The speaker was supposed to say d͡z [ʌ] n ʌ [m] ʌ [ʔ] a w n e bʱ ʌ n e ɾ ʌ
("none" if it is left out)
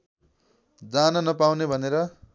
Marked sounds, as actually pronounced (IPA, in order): a, n, p

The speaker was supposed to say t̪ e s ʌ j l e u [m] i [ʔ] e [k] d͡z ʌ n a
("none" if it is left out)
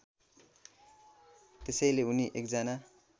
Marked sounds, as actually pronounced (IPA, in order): n, ʔ, k

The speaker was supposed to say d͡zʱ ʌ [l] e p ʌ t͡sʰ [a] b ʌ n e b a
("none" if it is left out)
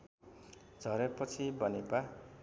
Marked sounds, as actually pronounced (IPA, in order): ɾ, i

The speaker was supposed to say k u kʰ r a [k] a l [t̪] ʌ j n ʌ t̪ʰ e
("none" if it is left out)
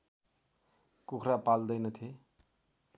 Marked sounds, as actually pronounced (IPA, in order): p, d̪

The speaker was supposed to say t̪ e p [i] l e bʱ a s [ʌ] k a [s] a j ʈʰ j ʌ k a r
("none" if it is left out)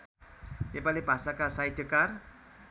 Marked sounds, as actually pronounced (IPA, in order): a, a, s

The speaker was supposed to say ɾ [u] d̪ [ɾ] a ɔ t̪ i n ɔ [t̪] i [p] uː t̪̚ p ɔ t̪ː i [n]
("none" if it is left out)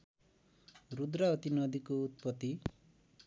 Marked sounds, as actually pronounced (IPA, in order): u, ɾ, d̪, k, none

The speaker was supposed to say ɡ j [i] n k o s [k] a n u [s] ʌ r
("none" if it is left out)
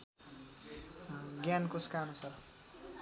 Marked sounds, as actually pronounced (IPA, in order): a, k, s

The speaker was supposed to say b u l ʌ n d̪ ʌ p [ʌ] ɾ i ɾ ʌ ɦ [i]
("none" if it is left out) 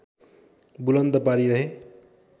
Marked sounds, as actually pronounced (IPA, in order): a, e

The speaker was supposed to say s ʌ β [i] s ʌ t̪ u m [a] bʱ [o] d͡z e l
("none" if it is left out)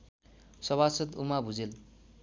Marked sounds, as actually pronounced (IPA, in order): a, a, u

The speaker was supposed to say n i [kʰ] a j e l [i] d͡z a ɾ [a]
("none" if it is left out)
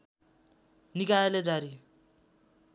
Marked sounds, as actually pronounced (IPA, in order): k, e, i

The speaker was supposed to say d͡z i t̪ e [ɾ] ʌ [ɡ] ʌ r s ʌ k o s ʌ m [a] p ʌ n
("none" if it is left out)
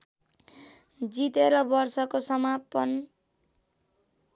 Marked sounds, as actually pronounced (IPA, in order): ɾ, b, a

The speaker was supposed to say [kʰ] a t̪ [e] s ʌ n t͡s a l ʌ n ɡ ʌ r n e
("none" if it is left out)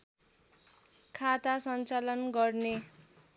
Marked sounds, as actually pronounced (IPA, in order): kʰ, a

